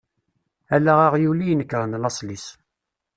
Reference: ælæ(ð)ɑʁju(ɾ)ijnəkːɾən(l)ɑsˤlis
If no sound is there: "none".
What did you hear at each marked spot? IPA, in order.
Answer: ʁ, l, l

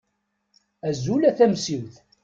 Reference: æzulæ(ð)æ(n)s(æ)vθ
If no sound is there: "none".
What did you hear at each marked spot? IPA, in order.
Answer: θ, m, i

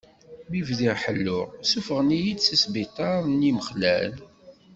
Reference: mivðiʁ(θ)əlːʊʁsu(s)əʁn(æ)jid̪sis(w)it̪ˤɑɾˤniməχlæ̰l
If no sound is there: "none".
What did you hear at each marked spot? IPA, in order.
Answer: ħ, f, i, b

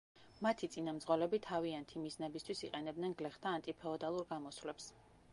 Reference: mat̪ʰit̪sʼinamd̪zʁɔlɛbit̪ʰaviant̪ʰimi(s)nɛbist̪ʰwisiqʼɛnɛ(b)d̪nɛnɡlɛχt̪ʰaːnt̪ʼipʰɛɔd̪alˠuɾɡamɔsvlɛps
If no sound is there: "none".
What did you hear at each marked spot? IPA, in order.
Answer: z, b

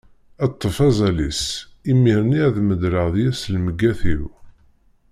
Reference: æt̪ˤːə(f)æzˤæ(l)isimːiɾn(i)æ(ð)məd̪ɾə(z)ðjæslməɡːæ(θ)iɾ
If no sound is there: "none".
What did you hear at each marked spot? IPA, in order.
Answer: f, l, i, ð, ʁ, θ

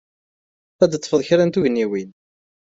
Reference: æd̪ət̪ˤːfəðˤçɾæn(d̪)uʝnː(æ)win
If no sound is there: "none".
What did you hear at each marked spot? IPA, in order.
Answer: t̪, i

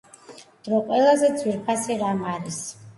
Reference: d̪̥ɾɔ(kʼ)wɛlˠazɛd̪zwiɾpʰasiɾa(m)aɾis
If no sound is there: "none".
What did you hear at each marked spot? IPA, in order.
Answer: qʼ, m

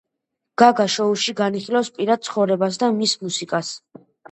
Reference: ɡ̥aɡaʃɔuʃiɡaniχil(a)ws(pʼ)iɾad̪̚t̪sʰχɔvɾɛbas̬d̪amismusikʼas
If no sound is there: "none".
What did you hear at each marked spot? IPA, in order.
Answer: a, pʼ

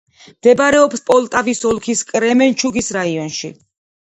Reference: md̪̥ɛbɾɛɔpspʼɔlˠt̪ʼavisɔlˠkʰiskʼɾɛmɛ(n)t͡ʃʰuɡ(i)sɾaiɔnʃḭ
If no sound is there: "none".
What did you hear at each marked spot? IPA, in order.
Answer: n, i

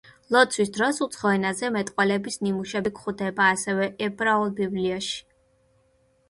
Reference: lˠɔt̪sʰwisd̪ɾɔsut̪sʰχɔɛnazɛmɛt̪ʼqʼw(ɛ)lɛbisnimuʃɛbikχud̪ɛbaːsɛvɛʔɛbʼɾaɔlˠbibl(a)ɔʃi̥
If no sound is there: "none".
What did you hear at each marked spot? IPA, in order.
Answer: ɛ, i

